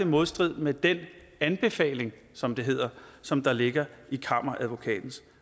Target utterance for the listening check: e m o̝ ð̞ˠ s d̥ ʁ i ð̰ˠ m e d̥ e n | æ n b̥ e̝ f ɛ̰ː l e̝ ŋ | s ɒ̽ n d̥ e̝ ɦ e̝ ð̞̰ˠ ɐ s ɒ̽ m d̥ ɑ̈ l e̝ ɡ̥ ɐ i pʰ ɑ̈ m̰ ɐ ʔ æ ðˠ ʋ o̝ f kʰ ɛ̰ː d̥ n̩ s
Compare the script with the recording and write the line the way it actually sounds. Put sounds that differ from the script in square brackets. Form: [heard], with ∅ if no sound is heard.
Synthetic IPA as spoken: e m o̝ ð̞ˠ s d̥ ʁ i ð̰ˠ m e d̥ e n | æ n b̥ e̝ f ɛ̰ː l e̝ ŋ | s ɒ̽ [m] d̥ e̝ ɦ e̝ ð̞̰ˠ ɐ s ɒ̽ m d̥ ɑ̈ l e̝ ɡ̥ ɐ i [kʰ] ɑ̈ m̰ ɐ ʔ æ ðˠ ʋ o̝ [∅] kʰ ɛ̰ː d̥ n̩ s